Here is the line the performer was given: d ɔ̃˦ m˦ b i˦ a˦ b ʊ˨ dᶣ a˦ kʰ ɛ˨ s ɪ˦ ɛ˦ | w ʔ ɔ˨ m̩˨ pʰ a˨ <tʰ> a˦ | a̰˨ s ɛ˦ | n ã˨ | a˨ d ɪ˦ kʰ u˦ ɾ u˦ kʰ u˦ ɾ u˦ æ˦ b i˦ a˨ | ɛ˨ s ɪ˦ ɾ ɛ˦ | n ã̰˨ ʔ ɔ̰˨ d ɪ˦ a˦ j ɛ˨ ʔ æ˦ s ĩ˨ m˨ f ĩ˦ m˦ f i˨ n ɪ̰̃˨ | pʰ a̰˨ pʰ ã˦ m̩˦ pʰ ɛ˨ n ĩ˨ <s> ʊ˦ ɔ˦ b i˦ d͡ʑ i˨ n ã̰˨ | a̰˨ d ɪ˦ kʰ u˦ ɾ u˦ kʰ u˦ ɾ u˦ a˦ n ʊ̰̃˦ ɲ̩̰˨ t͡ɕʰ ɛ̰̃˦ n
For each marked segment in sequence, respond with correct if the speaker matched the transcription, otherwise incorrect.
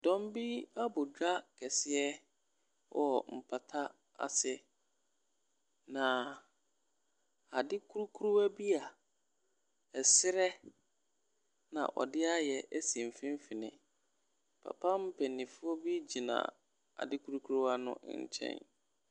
correct, incorrect: f

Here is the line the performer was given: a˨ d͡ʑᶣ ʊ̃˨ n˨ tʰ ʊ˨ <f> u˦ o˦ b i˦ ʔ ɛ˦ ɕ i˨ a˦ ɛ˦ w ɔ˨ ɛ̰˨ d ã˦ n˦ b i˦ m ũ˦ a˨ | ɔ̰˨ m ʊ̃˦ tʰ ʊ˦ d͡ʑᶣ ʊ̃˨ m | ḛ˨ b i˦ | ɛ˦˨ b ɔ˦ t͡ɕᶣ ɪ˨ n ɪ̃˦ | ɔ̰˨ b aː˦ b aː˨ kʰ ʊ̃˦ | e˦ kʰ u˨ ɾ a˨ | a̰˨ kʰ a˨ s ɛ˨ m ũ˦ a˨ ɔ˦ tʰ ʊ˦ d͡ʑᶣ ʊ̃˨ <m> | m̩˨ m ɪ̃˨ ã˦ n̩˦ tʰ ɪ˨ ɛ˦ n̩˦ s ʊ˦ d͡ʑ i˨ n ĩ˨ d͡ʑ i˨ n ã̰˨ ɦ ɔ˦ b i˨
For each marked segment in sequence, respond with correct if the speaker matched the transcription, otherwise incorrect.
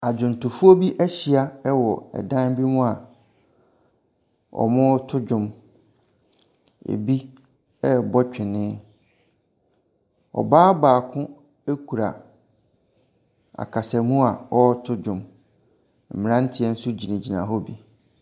correct, correct

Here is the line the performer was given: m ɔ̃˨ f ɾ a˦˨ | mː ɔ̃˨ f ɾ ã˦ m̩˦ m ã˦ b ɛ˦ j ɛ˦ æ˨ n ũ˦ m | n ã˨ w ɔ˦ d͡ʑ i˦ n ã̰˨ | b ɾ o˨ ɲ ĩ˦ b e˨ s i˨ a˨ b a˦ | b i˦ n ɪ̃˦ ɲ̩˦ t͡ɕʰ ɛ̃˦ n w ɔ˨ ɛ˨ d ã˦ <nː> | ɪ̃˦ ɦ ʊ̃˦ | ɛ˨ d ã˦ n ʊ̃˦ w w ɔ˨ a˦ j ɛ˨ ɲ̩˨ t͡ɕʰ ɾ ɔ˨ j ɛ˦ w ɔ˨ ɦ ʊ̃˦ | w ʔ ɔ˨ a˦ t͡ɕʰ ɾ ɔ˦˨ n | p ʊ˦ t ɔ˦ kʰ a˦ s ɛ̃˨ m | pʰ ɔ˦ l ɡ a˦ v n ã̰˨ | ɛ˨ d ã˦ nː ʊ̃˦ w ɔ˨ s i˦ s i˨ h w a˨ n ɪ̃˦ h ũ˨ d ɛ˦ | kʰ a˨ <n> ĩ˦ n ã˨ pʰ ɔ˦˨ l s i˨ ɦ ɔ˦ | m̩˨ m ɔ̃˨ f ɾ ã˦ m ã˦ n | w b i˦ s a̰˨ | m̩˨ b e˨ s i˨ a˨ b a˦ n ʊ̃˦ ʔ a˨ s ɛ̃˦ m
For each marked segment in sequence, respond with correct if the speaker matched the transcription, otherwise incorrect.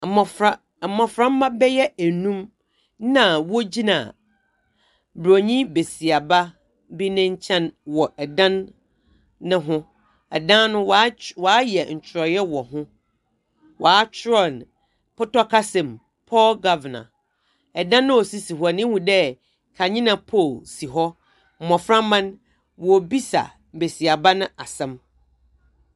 correct, incorrect: ɲ

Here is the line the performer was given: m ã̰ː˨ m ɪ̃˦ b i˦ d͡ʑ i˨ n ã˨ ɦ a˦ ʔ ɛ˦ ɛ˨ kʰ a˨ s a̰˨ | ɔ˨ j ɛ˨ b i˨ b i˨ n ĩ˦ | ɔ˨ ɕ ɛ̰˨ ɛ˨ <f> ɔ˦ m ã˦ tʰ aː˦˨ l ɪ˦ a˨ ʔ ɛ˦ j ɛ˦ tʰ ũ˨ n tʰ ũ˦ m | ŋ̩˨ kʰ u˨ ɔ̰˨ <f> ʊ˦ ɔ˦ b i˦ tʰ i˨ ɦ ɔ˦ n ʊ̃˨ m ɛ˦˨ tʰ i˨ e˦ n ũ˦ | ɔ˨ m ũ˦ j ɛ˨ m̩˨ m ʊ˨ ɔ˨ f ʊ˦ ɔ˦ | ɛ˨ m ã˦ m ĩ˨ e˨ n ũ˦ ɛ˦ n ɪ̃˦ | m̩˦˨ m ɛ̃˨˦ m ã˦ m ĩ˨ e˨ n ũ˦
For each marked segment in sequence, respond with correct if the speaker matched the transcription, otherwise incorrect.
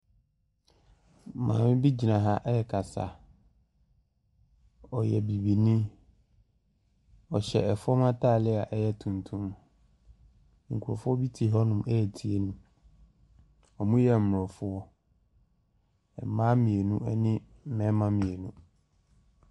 correct, correct

